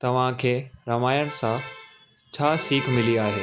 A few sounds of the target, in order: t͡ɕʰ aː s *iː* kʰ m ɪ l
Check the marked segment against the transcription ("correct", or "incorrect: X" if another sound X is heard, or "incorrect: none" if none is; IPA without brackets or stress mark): correct